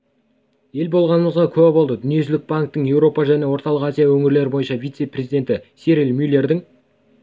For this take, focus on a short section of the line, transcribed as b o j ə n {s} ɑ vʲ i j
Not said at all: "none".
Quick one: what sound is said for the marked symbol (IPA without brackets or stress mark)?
ʃ